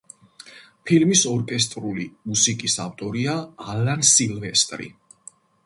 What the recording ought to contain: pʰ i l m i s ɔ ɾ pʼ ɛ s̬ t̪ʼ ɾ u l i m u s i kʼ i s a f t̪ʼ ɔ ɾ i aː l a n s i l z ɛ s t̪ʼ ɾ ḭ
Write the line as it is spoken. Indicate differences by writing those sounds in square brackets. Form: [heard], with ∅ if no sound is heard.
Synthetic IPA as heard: pʰ i l m i s ɔ ɾ [kʼ] ɛ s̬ t̪ʼ ɾ u l i m u s i kʼ i s a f t̪ʼ ɔ ɾ i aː l a n s i l [v] ɛ s t̪ʼ ɾ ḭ

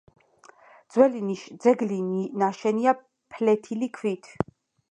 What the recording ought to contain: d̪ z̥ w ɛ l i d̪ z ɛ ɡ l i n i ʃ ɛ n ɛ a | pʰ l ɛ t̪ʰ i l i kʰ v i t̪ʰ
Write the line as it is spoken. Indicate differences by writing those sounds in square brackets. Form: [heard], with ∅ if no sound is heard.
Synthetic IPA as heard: d̪ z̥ w ɛ l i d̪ z ɛ ɡ l i n [a] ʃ ɛ n [i] a | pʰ l ɛ t̪ʰ i l i kʰ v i t̪ʰ

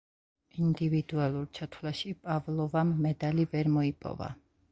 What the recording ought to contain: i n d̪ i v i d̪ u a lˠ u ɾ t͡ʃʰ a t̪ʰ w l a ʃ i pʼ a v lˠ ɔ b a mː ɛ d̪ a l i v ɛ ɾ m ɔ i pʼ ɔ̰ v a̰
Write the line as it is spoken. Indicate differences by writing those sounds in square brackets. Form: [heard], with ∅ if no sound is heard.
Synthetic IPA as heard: i n d̪ i v i d̪ u a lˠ u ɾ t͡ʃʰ a t̪ʰ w l a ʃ i pʼ a v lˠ ɔ [v] a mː ɛ d̪ a l i v ɛ ɾ m ɔ i pʼ ɔ̰ v a̰

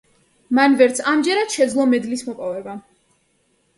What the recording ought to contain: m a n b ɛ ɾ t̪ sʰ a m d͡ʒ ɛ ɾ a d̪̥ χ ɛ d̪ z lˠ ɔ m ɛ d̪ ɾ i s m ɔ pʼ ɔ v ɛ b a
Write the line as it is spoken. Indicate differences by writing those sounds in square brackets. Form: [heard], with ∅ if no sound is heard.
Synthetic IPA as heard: m a n [v] ɛ ɾ t̪ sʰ a m d͡ʒ ɛ ɾ a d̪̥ [ʃ] ɛ d̪ z lˠ ɔ m ɛ d̪ [l] i s m ɔ pʼ ɔ v ɛ b a

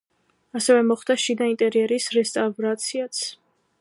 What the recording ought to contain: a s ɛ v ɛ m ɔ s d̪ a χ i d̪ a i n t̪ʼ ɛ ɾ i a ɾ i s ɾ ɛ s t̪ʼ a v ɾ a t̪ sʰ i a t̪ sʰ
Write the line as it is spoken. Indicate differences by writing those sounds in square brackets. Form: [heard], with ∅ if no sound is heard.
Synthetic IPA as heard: a s ɛ v ɛ m ɔ [χ] d̪ a [ʃ] i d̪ a i n t̪ʼ ɛ ɾ i [ɛ] ɾ i s ɾ ɛ s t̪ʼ a v ɾ a t̪ sʰ i a t̪ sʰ

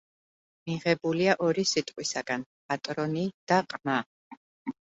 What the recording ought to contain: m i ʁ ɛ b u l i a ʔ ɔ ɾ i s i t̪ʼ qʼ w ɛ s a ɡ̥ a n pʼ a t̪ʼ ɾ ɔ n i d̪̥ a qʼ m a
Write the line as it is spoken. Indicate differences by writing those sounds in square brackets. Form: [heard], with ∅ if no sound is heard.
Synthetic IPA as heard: m i ʁ ɛ b u l i a ʔ ɔ ɾ i s i t̪ʼ qʼ w [i] s a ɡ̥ a n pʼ a t̪ʼ ɾ ɔ n i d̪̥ a qʼ m a

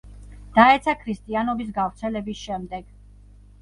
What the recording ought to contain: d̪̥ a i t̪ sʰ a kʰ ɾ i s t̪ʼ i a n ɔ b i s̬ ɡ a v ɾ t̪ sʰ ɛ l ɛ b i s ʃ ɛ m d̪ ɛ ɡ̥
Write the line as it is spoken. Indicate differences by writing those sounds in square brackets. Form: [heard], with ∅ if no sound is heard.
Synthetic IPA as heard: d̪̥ a [ɛ] t̪ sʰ a kʰ ɾ i s t̪ʼ i a n ɔ b i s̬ ɡ a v ɾ t̪ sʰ ɛ l ɛ b i s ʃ ɛ m d̪ ɛ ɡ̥

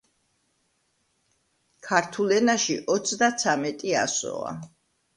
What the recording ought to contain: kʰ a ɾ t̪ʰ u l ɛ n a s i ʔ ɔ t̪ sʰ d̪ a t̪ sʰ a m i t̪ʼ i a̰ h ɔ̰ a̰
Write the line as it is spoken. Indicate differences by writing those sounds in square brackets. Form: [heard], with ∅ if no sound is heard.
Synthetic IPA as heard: kʰ a ɾ t̪ʰ u l ɛ n a [ʃ] i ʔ ɔ t̪ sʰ d̪ a t̪ sʰ a m [ɛ] t̪ʼ i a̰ [s] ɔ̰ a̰

